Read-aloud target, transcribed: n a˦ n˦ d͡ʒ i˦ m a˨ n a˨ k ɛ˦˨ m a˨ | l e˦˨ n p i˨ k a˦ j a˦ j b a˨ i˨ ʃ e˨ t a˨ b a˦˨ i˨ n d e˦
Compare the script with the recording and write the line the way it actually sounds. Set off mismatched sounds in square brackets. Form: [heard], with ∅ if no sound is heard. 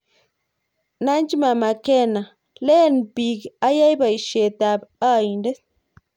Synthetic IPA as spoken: n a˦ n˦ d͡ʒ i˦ m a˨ [m] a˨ k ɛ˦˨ [n] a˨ | l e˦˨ n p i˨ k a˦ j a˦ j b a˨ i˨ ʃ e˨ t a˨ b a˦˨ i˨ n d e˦

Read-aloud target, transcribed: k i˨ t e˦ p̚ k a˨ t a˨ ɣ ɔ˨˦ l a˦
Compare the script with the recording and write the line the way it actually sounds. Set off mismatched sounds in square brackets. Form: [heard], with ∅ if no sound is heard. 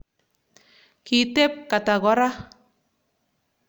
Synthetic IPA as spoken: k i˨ t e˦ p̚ k a˨ t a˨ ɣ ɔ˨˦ [ɾ] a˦

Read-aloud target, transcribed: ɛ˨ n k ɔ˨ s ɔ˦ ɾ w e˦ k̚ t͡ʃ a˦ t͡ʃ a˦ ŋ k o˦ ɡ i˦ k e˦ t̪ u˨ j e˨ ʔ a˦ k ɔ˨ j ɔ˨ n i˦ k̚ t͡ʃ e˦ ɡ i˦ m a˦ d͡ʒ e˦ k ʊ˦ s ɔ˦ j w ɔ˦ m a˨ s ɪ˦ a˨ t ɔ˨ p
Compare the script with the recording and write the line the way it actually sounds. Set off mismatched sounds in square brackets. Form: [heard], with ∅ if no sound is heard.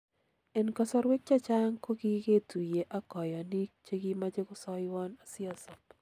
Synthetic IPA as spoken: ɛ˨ n k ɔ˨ s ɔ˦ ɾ w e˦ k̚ t͡ʃ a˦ t͡ʃ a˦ ŋ k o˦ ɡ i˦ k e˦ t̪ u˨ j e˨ ʔ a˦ k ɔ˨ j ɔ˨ n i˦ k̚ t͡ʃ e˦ ɡ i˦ m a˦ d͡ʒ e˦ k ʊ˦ s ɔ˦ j w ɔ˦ [n] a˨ s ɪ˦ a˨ [s] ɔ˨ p

